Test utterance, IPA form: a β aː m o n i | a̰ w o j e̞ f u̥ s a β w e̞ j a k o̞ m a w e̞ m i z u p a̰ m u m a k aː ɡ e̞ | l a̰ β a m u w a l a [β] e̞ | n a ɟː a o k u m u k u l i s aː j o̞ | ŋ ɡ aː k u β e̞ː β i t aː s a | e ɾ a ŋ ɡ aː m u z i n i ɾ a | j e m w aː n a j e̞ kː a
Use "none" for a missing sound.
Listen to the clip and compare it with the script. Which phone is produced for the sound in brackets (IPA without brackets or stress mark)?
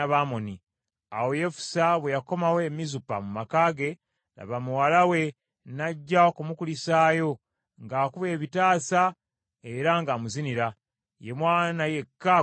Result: w